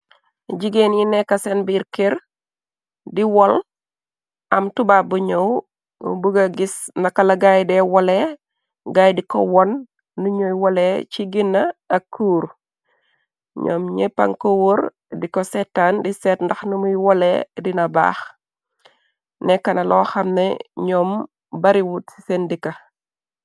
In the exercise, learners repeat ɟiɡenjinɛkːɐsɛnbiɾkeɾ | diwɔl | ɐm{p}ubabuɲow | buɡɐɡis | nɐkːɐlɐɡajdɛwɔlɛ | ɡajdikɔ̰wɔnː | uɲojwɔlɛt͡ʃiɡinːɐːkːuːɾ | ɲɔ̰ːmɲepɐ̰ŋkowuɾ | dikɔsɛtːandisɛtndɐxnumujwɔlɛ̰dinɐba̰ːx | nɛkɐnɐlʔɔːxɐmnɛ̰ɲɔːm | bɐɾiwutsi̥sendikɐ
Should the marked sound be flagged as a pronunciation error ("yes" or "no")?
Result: yes